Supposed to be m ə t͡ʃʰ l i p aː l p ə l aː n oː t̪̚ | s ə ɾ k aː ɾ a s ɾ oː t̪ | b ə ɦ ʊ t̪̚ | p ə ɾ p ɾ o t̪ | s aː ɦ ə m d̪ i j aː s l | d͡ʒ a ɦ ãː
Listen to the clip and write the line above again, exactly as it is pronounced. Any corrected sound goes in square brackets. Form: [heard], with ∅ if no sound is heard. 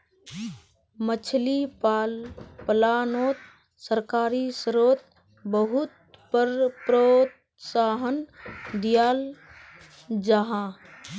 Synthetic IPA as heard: m ə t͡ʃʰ l i p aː l p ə l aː n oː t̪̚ | s ə ɾ k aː ɾ [i] s ɾ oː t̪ | b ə ɦ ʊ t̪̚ | p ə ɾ p ɾ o t̪ | s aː ɦ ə [n] d̪ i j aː [∅] l | d͡ʒ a ɦ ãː